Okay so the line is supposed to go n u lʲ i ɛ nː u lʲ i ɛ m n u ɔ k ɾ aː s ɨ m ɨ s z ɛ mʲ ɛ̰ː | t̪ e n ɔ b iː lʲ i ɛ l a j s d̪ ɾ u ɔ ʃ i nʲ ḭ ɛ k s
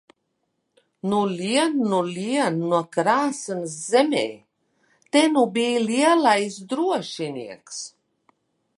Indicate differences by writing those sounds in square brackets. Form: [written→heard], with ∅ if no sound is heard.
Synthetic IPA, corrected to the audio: n u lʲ i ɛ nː u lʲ i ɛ [m→n] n u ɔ k ɾ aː s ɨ [m→n] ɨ s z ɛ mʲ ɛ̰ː | t̪ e n [ɔ→u] b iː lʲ i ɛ l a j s d̪ ɾ u ɔ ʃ i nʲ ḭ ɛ k s